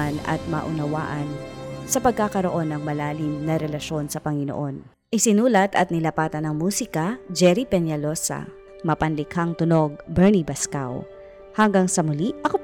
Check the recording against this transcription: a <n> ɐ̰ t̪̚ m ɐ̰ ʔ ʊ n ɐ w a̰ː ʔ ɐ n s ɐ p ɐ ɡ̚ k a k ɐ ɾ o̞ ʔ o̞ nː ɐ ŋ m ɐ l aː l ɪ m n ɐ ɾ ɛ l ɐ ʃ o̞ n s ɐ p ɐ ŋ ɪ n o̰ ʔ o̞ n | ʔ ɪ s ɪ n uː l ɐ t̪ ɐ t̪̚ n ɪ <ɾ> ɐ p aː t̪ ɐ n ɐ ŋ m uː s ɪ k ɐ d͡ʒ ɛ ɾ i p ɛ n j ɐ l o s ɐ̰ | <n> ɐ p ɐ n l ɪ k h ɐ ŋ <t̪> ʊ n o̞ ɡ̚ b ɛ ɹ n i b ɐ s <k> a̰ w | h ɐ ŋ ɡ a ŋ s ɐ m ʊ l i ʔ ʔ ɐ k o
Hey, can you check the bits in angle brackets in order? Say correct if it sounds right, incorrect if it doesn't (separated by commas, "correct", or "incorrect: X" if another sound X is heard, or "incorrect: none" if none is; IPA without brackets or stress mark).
correct, incorrect: l, incorrect: m, correct, correct